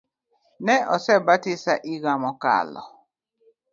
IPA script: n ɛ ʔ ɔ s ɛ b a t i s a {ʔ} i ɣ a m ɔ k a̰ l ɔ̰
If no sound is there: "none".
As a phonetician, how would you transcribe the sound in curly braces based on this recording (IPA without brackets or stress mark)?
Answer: ʔ